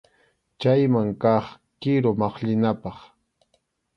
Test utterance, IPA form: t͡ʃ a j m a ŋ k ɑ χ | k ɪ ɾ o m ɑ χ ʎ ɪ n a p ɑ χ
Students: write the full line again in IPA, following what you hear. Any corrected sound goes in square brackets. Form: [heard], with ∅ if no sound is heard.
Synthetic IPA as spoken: t͡ʃ a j m a ŋ k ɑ χ | k ɪ ɾ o m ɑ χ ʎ ɪ n a p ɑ χ